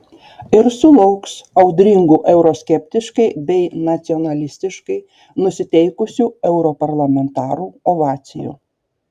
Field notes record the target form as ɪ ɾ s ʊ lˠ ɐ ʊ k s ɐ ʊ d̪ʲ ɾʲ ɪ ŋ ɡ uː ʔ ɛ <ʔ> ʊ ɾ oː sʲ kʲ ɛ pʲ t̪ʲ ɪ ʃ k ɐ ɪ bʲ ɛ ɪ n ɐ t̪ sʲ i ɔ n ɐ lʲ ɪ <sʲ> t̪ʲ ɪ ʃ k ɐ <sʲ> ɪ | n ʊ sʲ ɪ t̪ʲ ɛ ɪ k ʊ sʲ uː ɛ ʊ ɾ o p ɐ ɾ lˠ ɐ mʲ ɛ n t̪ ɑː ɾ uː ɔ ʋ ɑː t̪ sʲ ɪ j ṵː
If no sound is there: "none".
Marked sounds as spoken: none, sʲ, none

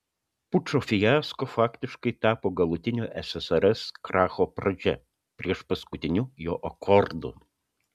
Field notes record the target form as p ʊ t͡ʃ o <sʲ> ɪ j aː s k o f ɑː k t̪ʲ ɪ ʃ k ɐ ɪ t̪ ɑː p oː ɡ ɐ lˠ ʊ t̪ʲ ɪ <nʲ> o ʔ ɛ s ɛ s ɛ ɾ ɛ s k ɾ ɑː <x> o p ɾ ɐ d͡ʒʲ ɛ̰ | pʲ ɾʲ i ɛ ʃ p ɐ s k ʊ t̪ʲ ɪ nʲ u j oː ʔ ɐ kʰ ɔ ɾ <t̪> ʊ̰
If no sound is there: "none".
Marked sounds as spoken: fʲ, nʲ, x, d̪

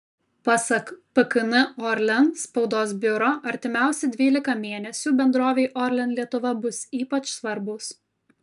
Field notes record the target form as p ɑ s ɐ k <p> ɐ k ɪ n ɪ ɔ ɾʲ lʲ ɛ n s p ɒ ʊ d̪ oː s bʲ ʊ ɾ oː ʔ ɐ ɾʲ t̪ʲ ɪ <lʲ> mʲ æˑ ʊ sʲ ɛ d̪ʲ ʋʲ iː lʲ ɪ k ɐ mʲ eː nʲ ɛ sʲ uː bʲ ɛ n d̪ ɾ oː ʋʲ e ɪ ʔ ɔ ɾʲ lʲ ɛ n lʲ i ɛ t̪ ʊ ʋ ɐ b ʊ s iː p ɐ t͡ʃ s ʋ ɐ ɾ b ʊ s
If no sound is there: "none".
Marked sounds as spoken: p, none

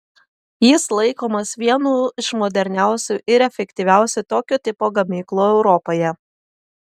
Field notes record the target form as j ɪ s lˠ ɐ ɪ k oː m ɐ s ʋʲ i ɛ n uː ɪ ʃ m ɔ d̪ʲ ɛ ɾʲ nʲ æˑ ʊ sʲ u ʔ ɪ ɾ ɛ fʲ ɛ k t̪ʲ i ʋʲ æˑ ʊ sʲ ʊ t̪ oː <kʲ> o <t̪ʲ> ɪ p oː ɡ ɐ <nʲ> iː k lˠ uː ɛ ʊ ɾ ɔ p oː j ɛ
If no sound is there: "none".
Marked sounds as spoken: kʲ, t̪ʲ, mʲ

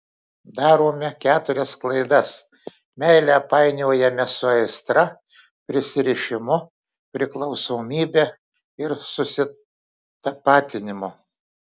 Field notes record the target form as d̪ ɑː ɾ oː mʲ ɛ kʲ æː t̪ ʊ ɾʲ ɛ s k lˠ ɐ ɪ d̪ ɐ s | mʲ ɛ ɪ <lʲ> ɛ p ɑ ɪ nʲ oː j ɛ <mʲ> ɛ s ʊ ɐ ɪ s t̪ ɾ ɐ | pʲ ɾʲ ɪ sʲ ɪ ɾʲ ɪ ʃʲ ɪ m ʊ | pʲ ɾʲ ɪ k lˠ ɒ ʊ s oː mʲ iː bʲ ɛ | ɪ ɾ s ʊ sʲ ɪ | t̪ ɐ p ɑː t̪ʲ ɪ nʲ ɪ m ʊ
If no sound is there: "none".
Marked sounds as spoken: lʲ, mʲ

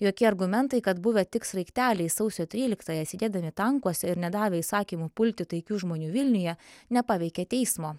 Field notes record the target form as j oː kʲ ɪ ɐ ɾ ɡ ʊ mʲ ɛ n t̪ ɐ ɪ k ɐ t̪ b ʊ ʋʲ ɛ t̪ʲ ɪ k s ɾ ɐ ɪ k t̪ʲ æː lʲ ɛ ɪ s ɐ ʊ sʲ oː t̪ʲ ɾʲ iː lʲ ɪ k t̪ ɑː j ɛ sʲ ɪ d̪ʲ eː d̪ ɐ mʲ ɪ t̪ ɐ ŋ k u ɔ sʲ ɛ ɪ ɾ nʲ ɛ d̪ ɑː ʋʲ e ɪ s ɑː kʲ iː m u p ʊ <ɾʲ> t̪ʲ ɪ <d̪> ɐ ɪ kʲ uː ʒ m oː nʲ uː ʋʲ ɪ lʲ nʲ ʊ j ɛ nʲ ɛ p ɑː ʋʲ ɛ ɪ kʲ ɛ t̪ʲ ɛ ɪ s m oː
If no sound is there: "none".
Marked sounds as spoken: lʲ, t̪

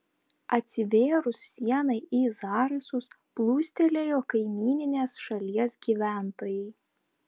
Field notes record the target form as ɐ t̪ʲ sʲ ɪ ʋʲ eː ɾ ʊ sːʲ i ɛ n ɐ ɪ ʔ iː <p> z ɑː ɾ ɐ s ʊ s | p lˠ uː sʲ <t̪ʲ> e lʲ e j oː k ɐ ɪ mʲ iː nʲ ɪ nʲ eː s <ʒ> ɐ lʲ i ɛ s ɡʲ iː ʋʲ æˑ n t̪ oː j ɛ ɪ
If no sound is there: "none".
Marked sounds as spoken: none, t̪ʲ, ʃ

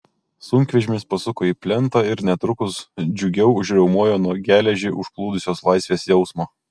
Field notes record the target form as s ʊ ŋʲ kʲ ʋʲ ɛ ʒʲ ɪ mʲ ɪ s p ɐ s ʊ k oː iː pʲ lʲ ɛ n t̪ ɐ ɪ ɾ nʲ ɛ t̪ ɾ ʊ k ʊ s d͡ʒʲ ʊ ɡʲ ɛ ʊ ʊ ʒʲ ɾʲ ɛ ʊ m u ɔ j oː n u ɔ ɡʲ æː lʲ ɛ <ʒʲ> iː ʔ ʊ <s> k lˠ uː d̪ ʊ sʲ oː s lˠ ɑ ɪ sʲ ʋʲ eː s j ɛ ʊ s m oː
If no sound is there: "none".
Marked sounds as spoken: ʒʲ, ʃ

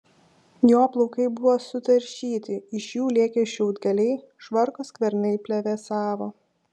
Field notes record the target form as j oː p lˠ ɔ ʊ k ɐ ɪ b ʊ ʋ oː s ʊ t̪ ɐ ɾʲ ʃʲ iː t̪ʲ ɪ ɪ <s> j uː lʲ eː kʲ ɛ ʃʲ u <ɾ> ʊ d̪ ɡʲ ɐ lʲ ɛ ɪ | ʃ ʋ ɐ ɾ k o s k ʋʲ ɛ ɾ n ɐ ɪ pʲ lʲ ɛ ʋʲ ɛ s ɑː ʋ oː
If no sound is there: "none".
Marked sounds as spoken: ʃ, none

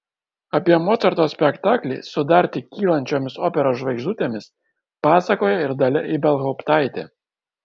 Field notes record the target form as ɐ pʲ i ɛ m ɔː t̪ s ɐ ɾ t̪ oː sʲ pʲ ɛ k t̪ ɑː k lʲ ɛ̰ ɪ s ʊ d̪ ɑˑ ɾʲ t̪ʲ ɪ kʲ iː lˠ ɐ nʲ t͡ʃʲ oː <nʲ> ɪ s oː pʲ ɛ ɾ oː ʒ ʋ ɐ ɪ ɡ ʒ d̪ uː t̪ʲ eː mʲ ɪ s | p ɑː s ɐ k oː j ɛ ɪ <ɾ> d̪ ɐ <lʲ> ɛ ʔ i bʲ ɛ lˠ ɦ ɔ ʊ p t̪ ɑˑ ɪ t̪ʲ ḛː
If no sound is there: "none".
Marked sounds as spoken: mʲ, ɾ, lʲ

